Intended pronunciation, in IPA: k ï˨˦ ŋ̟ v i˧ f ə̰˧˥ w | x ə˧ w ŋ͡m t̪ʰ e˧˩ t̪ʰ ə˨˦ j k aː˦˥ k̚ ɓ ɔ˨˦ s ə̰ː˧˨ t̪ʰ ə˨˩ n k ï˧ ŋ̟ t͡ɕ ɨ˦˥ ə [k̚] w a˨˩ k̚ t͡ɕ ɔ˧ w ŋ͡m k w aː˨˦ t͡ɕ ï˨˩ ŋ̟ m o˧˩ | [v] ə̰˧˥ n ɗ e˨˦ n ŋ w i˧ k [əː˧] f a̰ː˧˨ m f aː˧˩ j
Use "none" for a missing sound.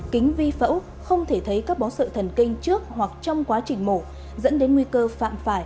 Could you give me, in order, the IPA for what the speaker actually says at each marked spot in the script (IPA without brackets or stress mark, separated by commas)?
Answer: k̚, z, əː˧